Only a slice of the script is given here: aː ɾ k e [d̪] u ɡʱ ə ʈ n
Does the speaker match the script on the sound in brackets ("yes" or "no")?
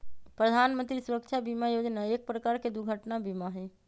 yes